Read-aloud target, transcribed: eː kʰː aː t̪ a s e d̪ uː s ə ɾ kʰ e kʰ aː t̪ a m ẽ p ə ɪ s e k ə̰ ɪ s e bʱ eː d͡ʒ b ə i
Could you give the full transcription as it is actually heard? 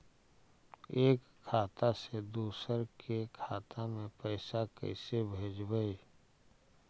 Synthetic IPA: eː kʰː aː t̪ a s e d̪ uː s ə ɾ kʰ e kʰ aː t̪ a m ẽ p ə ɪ s a k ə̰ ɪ s e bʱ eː d͡ʒ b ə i